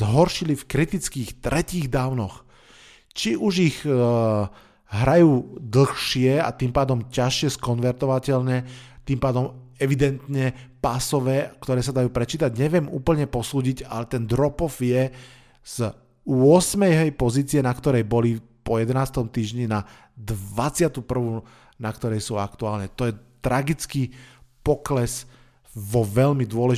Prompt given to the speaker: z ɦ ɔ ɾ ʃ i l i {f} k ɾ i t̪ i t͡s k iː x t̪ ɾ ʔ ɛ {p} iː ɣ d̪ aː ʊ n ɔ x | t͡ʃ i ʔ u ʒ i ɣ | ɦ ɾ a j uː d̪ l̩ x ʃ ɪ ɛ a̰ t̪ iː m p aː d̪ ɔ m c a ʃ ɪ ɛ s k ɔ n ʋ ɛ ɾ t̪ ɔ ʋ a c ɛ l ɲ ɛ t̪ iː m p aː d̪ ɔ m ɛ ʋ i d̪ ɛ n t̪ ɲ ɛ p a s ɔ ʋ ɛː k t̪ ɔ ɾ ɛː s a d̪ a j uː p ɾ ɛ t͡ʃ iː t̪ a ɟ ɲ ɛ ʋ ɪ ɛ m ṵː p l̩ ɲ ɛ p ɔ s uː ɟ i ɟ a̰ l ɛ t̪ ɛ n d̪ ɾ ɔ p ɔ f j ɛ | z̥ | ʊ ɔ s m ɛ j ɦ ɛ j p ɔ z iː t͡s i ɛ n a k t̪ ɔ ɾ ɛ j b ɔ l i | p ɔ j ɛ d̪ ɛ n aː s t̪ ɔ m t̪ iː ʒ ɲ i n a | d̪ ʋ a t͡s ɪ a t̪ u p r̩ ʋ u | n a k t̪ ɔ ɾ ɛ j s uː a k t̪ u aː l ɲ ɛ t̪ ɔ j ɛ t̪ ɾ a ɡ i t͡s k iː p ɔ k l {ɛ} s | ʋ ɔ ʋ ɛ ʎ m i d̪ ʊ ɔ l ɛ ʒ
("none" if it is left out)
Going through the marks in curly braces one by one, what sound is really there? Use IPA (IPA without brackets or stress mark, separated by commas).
f, c, ɛ